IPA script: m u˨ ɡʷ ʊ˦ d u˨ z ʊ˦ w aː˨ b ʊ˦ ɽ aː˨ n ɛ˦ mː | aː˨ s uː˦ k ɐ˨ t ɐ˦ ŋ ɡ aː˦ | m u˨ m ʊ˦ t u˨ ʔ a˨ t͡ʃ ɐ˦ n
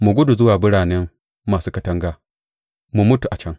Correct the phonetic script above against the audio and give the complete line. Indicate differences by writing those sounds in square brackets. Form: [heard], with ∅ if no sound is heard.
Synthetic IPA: m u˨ ɡʷ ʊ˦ d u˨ z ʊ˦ w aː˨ b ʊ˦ ɽ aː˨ n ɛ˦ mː | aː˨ s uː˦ k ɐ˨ t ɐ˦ ŋ ɡ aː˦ | m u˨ m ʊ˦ t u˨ ʔ a˨ t͡ʃ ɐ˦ [ŋ]